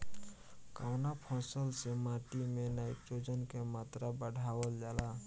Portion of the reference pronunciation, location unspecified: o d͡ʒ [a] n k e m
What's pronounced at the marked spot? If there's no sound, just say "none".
ə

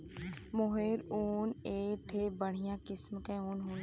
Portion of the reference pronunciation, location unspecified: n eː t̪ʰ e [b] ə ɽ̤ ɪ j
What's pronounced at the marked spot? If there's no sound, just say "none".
b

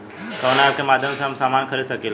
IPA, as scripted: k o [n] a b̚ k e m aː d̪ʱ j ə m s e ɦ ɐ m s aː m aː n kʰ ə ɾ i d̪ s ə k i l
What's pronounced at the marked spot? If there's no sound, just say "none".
n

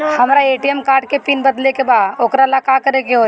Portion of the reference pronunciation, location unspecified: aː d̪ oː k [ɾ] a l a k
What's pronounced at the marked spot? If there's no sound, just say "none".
ɾ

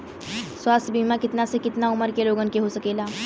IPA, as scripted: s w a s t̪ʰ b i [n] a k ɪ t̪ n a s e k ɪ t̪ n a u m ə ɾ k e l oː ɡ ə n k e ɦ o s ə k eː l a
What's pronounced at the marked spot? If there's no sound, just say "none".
m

